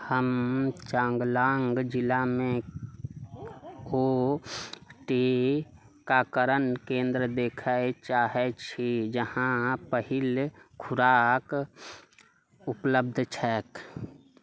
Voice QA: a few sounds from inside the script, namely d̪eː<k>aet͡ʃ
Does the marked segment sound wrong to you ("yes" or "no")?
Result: yes